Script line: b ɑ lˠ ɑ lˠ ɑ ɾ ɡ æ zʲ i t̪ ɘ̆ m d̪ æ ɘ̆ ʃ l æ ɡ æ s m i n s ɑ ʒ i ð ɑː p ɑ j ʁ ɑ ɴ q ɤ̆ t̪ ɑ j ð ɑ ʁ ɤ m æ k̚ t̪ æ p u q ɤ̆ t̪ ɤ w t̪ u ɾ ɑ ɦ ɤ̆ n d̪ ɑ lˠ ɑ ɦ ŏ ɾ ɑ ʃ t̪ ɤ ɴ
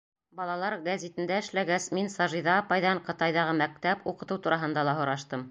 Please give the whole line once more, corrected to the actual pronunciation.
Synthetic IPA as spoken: b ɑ lˠ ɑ lˠ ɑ ɾ ɡ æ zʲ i t̪ ɘ̆ n d̪ æ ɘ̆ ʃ l æ ɡ æ s m i n s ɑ ʒ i ð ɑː p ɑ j ð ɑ ɴ q ɤ̆ t̪ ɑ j ð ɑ ʁ ɤ m æ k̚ t̪ æ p u q ɤ̆ t̪ ɤ w t̪ u ɾ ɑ ɦ ɤ̆ n d̪ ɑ lˠ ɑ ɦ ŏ ɾ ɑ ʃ t̪ ɤ m